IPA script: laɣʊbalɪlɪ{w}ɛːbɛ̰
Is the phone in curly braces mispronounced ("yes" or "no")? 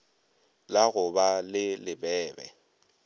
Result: yes